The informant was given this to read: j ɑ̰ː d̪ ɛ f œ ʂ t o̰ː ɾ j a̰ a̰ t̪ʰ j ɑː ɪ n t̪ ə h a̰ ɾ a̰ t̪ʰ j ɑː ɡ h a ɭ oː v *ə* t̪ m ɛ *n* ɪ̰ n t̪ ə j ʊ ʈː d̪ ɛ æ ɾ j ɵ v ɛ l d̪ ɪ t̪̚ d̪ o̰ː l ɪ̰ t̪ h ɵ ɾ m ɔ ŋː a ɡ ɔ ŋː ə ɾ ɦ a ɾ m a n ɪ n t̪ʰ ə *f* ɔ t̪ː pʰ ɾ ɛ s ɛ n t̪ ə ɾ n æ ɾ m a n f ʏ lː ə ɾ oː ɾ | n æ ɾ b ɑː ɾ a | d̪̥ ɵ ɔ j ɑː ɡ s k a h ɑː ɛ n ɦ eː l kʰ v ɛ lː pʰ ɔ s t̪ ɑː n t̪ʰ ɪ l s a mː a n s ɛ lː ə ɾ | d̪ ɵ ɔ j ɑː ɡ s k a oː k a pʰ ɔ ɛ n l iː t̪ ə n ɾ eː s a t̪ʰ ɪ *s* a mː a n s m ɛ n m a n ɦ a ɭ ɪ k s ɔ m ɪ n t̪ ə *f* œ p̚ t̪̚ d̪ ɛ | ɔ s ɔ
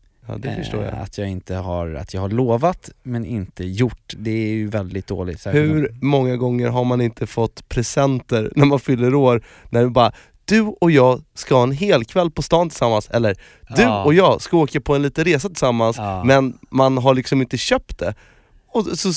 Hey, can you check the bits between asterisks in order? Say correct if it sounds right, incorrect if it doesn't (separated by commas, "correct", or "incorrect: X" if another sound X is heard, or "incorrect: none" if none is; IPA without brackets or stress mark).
incorrect: a, correct, correct, correct, incorrect: ɕ